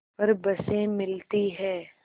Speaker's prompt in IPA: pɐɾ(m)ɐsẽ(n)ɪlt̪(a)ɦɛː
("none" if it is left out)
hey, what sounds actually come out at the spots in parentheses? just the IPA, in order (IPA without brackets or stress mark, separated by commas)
b, m, i